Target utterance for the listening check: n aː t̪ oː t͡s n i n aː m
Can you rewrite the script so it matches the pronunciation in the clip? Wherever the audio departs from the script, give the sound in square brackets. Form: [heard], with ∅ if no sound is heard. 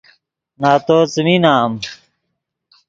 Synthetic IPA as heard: n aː t̪ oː t͡s [m] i n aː m